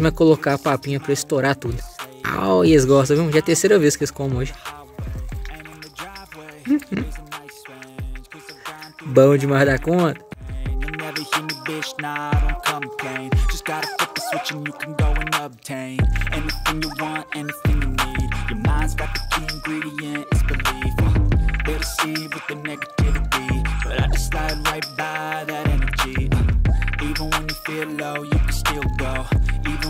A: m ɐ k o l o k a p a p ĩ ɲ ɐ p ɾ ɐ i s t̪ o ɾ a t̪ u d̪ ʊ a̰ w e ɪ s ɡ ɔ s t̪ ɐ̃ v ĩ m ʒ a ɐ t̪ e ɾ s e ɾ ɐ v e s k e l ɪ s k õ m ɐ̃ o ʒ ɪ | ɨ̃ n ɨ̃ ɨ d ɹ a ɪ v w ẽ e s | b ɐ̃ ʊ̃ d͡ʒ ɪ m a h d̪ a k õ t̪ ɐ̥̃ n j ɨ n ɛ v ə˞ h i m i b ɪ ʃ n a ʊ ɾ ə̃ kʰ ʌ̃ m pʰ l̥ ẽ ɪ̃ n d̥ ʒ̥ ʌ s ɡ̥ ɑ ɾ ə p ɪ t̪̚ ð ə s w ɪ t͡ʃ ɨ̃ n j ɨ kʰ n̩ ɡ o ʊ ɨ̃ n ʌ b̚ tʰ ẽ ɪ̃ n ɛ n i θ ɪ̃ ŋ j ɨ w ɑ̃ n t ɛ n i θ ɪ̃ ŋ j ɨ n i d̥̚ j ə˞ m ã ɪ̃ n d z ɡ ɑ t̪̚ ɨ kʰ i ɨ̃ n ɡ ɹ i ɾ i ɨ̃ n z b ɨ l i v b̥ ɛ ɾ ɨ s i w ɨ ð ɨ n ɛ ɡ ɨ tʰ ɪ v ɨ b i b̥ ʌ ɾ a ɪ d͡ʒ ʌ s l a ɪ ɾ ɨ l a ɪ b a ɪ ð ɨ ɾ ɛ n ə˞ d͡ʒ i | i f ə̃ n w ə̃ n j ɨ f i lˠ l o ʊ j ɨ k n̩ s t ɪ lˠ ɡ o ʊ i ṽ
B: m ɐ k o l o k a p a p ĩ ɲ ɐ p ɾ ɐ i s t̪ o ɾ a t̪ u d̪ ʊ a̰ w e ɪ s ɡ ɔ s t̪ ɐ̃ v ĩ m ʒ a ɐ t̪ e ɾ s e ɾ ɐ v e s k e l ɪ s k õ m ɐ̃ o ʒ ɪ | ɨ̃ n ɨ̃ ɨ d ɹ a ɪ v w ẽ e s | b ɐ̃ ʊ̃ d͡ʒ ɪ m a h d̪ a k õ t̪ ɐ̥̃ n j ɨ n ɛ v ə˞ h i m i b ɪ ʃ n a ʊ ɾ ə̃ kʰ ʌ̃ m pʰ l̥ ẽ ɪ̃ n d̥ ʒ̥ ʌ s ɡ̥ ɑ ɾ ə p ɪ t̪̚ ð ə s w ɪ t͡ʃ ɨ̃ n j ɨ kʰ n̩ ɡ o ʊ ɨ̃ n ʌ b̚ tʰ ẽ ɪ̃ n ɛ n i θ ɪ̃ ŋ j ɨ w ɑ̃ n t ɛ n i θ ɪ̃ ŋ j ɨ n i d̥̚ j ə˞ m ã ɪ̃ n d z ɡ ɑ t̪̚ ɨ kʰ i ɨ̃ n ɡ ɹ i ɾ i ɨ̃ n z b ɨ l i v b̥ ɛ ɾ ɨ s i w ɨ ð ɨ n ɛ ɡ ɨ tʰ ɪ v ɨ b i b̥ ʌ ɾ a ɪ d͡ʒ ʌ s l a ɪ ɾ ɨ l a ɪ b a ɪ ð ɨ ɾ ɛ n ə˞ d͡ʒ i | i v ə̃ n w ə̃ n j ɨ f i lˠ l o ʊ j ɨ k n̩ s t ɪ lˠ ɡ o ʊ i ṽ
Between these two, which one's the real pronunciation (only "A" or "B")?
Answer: B